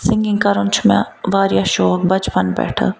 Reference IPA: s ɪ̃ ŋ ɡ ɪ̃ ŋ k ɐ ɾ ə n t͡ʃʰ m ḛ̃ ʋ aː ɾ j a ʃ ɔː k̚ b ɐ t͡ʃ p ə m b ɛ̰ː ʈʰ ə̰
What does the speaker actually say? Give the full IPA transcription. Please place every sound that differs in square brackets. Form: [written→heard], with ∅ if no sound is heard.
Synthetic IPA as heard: s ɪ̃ ŋ ɡ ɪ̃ ŋ k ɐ ɾ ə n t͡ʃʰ m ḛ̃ ʋ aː ɾ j a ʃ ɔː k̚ b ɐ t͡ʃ p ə [m→n] b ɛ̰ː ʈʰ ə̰